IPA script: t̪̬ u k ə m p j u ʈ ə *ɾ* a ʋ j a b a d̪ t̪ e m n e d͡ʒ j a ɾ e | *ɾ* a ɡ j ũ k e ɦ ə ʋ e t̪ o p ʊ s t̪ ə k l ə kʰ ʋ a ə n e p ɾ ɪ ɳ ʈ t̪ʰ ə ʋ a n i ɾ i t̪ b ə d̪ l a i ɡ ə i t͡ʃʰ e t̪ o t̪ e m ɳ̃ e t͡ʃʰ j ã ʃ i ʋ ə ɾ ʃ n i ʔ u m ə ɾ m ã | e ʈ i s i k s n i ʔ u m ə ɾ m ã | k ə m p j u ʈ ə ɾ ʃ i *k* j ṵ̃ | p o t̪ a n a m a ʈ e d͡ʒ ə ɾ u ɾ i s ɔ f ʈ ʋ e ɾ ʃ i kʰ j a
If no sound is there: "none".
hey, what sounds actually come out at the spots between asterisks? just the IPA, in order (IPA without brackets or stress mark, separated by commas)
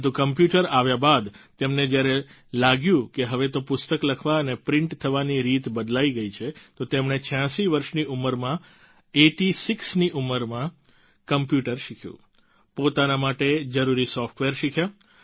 ɾ, l, kʰ